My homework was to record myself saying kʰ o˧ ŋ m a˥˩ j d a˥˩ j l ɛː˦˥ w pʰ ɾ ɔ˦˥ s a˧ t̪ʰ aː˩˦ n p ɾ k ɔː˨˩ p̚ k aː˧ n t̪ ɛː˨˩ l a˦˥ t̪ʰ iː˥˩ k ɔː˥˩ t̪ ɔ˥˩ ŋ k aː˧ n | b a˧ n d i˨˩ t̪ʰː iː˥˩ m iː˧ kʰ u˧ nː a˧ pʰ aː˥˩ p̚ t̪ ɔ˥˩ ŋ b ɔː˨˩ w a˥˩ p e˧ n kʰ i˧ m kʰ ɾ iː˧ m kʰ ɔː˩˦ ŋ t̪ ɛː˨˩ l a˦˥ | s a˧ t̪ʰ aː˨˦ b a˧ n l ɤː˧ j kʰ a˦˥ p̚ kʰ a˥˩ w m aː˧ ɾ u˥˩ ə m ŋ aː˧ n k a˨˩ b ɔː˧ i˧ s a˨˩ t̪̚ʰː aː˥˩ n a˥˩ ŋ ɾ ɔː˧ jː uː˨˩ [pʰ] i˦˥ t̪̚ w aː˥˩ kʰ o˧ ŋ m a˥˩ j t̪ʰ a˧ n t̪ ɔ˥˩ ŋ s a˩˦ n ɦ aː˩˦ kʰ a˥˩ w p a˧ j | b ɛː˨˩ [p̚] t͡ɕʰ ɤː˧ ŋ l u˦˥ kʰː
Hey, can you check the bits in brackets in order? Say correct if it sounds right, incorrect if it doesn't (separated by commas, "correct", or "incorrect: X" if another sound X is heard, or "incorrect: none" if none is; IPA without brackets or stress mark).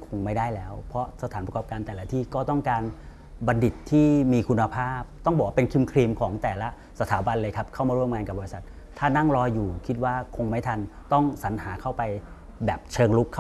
incorrect: kʰ, correct